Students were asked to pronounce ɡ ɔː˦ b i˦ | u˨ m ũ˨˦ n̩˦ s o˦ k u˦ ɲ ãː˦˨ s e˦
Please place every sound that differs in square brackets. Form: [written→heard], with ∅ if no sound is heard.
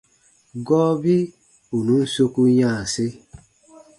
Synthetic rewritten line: ɡ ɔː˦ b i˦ | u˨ [m→n] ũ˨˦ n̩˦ s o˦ k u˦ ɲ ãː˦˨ s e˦